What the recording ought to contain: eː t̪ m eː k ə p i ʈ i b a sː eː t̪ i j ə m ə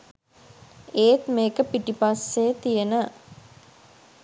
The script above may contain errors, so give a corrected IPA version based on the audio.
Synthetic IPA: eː t̪ m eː k ə p i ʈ i p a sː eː t̪ i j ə n ə